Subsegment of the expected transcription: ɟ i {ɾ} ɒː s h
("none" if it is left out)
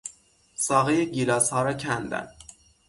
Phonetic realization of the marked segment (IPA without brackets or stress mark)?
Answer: l